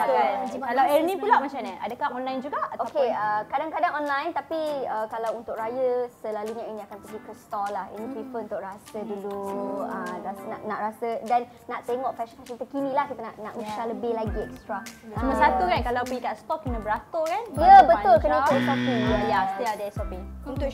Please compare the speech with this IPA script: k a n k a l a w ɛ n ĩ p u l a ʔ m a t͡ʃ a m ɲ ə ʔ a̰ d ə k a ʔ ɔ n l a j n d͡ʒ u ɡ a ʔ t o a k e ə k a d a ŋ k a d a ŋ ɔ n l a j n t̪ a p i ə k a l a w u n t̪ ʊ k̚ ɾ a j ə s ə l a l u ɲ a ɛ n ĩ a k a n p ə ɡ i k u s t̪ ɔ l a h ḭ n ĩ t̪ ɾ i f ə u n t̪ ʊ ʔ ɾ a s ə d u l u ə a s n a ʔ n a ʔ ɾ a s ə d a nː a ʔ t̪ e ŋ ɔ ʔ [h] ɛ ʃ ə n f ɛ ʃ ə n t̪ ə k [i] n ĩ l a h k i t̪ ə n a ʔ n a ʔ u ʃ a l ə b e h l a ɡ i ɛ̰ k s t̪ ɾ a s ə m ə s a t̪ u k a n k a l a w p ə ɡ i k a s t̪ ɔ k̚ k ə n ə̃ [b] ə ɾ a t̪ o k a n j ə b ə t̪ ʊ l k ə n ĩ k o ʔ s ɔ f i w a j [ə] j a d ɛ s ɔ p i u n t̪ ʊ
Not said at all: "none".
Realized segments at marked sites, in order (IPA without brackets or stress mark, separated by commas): f, i, b, a